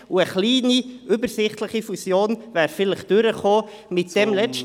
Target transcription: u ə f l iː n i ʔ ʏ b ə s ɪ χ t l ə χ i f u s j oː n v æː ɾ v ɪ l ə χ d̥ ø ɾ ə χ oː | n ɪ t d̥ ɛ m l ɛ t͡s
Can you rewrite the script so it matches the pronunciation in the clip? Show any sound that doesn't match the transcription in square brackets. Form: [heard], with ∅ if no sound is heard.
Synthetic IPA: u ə [χ] l iː n i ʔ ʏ b ə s ɪ χ t l ə χ i f u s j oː n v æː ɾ [f] ɪ l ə χ d̥ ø ɾ ə χ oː | [m] ɪ t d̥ ɛ m l ɛ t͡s